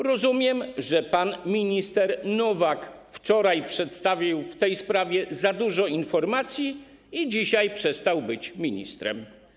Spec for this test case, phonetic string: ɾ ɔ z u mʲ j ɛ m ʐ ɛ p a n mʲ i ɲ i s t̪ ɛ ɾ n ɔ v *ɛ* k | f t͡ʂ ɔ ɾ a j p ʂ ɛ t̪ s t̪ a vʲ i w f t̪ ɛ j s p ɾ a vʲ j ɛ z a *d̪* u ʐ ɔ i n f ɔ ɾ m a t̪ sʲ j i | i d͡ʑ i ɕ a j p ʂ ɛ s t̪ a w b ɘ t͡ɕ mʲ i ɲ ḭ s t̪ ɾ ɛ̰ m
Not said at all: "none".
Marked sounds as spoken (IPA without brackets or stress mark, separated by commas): a, d̪